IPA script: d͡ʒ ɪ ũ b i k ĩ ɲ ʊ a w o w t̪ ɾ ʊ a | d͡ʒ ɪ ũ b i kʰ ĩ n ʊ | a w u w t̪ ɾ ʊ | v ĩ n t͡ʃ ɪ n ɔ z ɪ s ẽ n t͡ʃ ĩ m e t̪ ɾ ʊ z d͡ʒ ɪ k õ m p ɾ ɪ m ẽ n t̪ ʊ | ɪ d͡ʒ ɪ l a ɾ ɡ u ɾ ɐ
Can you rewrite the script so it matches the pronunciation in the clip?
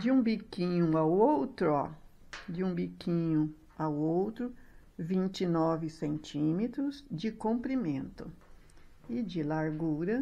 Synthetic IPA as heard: d͡ʒ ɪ ũ b i k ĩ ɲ ʊ a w o w t̪ ɾ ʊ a | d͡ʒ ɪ ũ b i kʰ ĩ ɲ ʊ | a w o w t̪ ɾ ʊ | v ĩ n t͡ʃ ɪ n ɔ v ɪ s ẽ n t͡ʃ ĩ m e t̪ ɾ ʊ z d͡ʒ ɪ k õ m p ɾ i m ẽ n t̪ ʊ | ɪ d͡ʒ ɪ l a ɾ ɡ u ɾ ɐ